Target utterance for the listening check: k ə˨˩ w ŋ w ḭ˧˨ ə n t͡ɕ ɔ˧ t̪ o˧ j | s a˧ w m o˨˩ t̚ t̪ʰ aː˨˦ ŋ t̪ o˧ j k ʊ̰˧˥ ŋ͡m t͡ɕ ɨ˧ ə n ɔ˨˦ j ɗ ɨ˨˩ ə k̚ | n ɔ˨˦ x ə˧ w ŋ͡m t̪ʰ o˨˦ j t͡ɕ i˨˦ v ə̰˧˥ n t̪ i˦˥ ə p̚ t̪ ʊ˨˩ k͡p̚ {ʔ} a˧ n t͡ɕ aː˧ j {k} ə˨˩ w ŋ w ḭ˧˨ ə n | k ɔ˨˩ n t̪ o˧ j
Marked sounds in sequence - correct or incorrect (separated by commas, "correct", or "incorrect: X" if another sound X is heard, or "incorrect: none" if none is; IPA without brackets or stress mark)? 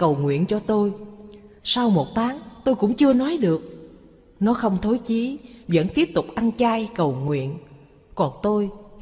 correct, correct